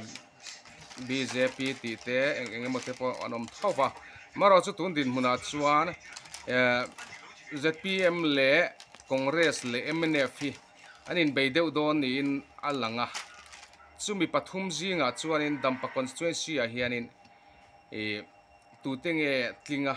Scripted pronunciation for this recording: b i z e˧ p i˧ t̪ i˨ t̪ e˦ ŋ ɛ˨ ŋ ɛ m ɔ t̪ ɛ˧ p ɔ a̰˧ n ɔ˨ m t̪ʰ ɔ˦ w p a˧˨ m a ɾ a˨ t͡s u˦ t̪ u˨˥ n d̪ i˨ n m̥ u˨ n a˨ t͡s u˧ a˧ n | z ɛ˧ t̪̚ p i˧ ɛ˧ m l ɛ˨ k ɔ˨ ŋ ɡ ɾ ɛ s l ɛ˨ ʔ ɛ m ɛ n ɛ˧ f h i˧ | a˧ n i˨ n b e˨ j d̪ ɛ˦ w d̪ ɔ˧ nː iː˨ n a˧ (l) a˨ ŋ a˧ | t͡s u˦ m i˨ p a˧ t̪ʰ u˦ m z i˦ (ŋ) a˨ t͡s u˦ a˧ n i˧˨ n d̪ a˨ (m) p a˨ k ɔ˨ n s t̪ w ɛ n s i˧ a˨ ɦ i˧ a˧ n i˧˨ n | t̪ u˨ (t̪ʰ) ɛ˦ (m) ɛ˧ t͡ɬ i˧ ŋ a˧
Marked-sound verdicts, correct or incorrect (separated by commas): correct, correct, correct, incorrect, incorrect